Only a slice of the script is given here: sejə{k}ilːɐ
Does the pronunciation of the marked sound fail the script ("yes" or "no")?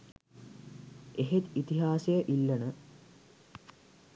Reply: yes